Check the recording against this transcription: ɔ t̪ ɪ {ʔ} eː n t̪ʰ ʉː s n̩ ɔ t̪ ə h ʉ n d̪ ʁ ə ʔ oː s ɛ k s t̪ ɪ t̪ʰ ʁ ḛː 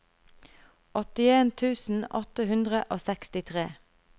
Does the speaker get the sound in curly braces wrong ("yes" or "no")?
yes